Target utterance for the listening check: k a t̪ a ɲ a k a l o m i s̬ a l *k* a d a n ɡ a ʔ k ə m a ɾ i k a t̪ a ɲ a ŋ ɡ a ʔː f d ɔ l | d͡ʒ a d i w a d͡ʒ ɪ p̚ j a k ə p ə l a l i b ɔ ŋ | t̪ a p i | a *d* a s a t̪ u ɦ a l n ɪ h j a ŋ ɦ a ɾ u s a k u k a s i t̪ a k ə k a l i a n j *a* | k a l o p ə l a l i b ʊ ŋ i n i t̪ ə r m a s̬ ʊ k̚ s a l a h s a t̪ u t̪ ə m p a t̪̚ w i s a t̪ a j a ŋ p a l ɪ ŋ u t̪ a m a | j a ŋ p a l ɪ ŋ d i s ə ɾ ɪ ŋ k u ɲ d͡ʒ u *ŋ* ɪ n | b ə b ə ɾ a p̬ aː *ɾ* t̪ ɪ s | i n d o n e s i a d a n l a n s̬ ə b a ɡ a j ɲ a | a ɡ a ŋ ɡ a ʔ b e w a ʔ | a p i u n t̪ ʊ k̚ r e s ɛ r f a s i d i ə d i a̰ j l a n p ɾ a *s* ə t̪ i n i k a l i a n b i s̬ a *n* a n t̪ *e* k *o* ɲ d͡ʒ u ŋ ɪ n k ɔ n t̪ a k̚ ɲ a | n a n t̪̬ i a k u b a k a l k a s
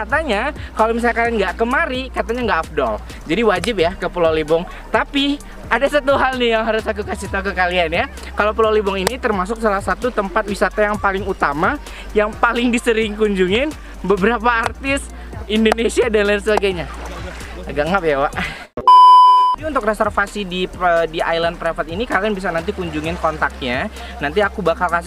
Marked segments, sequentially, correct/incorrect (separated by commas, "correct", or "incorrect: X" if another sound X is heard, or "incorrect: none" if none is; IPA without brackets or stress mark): correct, correct, correct, correct, incorrect: r, incorrect: f, correct, incorrect: i, incorrect: u